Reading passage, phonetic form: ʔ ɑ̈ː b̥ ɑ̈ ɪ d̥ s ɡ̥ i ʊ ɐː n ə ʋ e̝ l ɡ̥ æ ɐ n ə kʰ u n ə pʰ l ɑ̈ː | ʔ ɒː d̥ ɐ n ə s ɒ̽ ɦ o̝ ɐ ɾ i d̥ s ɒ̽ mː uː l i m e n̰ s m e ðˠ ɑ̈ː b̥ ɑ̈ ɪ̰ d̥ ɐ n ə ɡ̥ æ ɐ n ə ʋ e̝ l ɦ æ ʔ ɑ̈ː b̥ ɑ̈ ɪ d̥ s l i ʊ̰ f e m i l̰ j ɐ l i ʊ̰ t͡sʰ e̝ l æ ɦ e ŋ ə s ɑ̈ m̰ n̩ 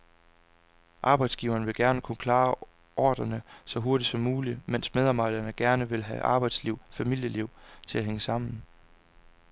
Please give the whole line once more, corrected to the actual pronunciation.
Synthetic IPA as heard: ʔ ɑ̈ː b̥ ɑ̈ ɪ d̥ s ɡ̥ i ʊ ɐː n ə ʋ e̝ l ɡ̥ æ ɐ n ə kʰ u n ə kʰ l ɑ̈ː | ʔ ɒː d̥ ɐ n ə s ɒ̽ ɦ o̝ ɐ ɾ i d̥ s ɒ̽ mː uː l i m e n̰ s m e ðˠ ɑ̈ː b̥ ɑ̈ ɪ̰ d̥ ɐ n ə ɡ̥ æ ɐ n ə ʋ e̝ l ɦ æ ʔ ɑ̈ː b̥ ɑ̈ ɪ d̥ s l i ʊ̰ f æ m i l̰ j ə l i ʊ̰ t͡sʰ e̝ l æ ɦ e ŋ ə s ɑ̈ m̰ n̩